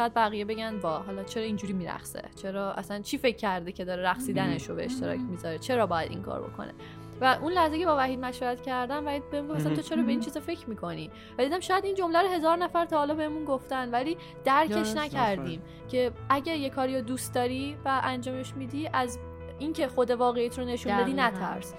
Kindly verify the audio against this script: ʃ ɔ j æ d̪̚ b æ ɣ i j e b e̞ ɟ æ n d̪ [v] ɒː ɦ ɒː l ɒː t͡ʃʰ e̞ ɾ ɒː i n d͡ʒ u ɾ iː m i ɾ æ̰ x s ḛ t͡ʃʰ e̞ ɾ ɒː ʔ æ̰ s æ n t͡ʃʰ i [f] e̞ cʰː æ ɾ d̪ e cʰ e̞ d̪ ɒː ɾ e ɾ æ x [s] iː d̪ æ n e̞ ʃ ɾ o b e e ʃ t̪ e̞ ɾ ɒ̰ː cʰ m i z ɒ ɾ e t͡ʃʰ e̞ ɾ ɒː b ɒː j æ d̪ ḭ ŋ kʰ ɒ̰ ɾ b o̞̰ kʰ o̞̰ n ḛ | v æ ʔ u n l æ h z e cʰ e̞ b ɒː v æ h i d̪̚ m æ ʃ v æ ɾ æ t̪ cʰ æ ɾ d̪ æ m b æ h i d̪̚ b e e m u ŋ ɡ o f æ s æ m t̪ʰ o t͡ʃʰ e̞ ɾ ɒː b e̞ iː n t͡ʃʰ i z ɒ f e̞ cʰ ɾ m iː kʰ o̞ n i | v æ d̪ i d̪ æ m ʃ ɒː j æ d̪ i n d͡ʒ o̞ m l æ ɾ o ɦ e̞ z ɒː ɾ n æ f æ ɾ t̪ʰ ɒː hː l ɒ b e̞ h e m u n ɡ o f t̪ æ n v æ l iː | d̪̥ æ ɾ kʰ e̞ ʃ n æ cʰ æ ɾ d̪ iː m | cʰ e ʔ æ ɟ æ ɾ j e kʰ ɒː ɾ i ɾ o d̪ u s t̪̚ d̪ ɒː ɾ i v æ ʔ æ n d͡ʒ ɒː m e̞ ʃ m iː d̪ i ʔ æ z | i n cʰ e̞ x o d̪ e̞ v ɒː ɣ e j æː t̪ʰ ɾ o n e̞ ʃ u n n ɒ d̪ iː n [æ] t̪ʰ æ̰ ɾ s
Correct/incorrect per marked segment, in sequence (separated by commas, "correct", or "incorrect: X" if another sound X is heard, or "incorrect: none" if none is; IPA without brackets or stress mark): correct, correct, correct, correct